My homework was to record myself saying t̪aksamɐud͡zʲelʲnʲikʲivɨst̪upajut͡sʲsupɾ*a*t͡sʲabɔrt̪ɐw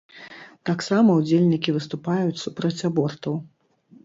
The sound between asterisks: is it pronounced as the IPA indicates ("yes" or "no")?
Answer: no